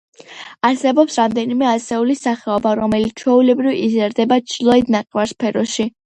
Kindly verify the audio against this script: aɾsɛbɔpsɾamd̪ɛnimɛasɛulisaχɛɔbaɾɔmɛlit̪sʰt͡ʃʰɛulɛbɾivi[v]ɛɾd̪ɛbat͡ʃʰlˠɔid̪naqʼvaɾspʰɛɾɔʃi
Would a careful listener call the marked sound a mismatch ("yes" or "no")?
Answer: yes